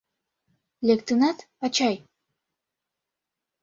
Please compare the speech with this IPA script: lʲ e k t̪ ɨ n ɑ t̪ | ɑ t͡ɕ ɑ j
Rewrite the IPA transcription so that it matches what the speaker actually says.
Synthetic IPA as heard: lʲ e k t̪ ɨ n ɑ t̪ | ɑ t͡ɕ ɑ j